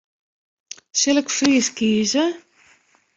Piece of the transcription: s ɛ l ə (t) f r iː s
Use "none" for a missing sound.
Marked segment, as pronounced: k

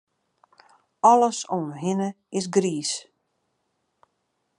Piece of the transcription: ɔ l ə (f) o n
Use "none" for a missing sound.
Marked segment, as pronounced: s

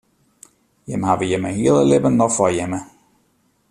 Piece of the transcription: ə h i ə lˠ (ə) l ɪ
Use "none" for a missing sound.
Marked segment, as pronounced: ə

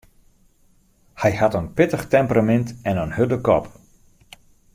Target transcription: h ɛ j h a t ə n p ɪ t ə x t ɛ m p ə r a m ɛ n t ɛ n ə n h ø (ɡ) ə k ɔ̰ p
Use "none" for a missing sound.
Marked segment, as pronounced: d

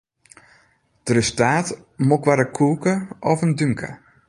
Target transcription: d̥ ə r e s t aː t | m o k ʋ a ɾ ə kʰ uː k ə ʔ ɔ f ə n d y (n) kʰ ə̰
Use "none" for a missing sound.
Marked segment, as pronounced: ŋ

